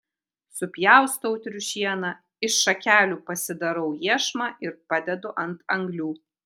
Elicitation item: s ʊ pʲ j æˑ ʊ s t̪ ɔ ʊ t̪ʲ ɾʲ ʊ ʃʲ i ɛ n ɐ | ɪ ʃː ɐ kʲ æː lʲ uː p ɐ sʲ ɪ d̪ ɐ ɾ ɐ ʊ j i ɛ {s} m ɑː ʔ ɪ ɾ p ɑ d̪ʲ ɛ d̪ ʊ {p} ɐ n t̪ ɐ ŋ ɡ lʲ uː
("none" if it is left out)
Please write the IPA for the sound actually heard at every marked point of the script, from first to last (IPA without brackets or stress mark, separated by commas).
ʃ, ʔ